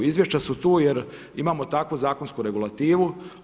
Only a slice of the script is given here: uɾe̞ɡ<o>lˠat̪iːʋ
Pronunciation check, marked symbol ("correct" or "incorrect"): incorrect